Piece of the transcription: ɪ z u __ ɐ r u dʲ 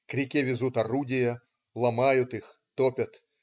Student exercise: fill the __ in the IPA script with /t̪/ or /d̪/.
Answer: t̪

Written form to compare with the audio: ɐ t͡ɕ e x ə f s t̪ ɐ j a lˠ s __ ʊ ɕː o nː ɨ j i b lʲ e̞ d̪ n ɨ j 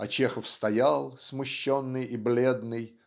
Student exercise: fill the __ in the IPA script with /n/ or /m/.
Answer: m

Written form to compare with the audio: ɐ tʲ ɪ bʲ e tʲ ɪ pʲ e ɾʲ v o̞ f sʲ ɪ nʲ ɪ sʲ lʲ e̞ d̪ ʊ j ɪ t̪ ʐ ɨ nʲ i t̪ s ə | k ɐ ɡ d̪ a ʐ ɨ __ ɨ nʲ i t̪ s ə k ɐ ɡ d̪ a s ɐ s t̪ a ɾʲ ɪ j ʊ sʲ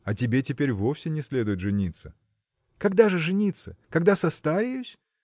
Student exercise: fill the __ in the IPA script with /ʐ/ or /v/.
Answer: ʐ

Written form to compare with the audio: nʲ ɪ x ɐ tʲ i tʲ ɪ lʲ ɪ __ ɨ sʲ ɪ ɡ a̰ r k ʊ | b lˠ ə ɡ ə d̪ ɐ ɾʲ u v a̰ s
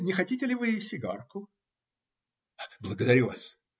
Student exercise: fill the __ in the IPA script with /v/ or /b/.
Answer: v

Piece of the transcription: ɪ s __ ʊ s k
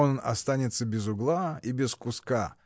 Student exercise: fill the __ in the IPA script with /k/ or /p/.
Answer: k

